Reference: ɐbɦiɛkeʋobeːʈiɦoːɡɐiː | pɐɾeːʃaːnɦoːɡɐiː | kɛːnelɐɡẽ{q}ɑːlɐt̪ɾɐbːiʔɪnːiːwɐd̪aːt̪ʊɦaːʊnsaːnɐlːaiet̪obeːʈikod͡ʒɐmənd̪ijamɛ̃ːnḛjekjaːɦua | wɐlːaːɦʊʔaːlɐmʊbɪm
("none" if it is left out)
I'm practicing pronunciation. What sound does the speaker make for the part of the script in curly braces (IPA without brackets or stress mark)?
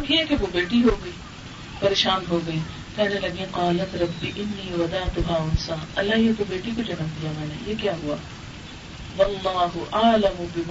q